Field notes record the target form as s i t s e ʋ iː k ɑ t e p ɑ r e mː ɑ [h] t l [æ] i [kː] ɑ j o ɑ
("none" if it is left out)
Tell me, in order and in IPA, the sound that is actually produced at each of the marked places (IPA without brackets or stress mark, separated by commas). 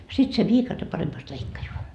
s, e, kː